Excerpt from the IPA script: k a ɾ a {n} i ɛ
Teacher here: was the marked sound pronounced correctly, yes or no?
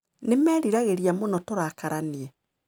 yes